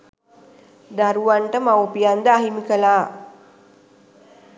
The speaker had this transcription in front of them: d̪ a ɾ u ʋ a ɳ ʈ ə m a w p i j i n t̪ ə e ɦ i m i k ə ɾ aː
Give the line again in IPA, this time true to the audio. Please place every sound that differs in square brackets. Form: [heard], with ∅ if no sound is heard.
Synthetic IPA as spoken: d̪ a ɾ u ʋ a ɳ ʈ ə m a w p i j [a] n [d̪] ə [a] ɦ i m i k ə [l] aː